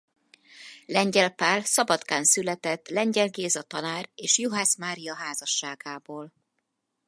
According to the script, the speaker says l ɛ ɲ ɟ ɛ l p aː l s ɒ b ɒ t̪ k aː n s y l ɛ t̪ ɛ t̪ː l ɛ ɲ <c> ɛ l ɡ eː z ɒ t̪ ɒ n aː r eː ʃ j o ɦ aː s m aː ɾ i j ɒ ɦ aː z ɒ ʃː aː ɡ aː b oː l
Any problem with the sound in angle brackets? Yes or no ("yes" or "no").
yes